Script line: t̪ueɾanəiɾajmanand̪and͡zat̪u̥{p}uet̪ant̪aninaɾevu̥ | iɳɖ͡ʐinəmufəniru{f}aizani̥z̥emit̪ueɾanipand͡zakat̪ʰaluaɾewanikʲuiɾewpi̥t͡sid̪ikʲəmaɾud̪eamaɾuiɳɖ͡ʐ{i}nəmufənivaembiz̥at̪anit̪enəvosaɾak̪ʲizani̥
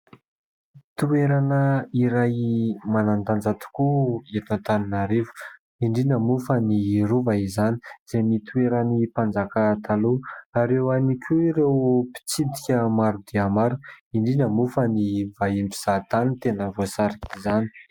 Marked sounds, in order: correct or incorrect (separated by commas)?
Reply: incorrect, incorrect, correct